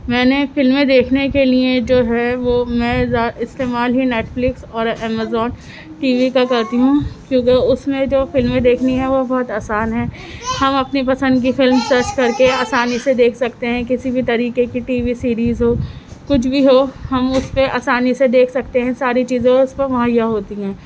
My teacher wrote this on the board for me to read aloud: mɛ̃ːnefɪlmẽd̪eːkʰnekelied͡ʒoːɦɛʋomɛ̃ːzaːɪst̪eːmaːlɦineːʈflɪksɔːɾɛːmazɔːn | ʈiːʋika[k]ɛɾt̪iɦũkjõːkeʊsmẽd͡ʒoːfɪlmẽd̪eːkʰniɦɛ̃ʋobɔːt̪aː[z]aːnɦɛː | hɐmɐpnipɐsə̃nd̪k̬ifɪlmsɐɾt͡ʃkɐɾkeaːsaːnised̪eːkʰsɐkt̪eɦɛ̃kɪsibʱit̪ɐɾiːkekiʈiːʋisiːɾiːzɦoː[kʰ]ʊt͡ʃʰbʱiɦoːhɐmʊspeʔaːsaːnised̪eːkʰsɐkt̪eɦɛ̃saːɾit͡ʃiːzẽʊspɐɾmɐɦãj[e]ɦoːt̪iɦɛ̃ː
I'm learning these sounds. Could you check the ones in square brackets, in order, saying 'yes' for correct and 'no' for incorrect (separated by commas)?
yes, no, no, no